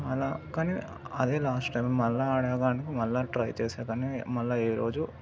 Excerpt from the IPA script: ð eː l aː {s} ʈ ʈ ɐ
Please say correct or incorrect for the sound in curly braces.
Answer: correct